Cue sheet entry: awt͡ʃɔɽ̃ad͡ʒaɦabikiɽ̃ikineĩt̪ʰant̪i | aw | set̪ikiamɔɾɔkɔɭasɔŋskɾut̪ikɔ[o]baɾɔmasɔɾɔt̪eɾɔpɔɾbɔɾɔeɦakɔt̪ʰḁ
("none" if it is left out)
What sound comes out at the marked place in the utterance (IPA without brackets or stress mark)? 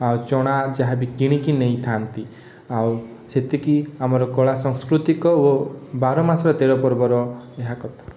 o